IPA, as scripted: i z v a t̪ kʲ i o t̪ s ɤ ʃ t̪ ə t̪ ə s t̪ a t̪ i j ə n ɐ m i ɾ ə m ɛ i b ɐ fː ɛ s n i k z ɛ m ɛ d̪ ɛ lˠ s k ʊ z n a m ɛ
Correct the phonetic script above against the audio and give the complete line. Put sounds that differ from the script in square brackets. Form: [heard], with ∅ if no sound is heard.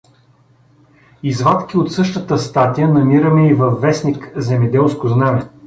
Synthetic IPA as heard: i z v a t̪ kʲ i o t̪ s ɤ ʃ t̪ ə t̪ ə s t̪ a t̪ i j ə n ɐ m i ɾ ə m ɛ i [v] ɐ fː ɛ s n i k z ɛ m ɛ d̪ ɛ lˠ s k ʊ z n a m ɛ